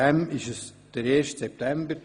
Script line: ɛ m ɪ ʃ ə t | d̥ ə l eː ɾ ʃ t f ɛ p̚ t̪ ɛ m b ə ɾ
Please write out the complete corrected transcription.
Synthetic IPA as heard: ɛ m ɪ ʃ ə s | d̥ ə ɾ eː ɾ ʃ t s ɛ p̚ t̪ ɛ m b ə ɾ